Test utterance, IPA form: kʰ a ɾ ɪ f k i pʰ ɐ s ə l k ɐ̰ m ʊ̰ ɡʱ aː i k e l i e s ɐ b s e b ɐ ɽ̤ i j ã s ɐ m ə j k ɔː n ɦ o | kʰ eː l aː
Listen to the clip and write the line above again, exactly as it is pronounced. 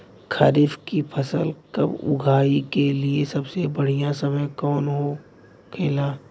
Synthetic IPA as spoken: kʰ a ɾ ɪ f k i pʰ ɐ s ə l k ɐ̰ b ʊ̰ ɡʱ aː i k e l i e s ɐ b s e b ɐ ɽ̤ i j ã s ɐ m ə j k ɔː n ɦ o | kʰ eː l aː